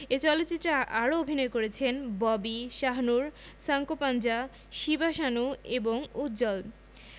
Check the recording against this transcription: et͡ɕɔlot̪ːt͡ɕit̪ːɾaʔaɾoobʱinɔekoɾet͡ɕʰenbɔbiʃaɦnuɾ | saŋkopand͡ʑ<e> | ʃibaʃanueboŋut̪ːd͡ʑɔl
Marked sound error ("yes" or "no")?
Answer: yes